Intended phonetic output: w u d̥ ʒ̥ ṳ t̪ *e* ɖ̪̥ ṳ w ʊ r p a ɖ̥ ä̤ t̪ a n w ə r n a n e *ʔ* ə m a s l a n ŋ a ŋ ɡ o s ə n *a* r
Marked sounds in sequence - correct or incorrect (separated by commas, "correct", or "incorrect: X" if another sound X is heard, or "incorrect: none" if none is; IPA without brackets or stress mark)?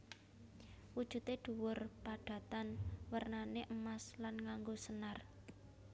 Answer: correct, correct, correct